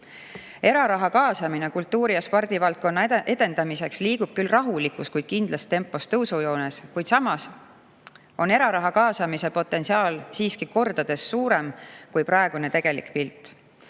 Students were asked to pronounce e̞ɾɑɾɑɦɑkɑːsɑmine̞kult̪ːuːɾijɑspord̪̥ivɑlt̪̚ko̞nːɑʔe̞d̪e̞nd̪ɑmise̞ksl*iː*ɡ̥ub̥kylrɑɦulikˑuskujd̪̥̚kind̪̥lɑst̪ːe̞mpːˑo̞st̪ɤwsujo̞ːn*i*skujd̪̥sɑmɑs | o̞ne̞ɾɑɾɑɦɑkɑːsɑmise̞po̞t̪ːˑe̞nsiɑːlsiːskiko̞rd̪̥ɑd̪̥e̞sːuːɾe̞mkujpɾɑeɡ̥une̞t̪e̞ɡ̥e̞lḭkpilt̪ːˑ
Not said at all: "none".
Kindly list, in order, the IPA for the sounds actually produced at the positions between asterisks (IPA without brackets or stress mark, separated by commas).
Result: iː, e